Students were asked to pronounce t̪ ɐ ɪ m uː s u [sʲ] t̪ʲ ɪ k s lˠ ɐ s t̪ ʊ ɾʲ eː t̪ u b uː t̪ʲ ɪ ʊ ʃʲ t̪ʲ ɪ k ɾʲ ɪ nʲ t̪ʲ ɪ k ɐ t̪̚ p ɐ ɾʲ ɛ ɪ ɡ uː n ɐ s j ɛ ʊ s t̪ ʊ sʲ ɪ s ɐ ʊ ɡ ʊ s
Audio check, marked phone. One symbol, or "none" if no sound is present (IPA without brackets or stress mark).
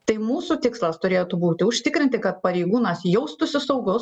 none